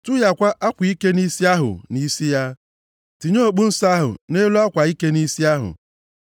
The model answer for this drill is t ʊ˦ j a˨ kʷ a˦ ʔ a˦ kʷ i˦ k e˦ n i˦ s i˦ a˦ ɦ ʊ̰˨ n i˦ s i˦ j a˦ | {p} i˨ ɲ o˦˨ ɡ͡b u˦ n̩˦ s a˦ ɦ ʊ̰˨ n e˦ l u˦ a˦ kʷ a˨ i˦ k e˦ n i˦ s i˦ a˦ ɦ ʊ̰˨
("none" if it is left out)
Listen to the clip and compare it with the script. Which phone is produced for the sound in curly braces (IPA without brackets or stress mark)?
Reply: t